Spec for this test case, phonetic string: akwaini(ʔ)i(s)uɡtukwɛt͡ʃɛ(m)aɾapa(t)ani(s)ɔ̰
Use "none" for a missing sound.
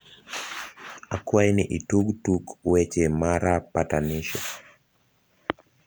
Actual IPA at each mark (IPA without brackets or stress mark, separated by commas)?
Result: ʔ, t, m, t, ʃ